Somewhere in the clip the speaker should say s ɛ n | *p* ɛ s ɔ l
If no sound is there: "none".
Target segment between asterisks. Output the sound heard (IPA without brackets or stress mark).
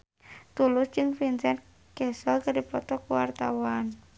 k